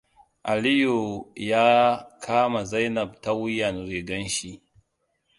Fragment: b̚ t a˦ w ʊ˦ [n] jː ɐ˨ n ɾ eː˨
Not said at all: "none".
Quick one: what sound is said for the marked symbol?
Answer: none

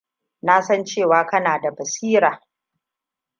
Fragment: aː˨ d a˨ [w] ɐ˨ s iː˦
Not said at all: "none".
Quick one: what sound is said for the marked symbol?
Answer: b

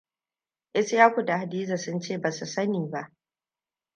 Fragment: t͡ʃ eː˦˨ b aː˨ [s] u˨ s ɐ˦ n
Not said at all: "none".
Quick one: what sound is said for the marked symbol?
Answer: s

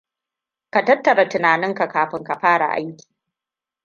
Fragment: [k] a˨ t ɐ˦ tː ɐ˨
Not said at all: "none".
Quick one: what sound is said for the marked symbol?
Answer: k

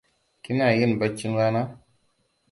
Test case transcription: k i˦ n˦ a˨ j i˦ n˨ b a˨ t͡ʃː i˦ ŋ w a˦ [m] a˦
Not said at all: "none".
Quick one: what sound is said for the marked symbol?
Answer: n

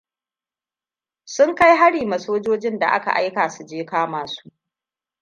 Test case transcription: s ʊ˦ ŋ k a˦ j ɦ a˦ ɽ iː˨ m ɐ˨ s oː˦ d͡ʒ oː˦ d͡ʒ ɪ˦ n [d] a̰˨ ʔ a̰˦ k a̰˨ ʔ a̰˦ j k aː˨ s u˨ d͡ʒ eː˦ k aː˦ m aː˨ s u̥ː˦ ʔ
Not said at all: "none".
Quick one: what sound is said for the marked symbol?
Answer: d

